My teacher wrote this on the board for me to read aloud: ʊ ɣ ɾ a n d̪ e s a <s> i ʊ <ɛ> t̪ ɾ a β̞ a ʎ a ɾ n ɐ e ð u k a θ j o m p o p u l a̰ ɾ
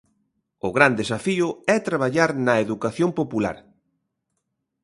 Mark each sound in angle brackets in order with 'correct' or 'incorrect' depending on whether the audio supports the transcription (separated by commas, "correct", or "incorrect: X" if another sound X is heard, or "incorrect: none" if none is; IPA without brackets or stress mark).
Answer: incorrect: f, correct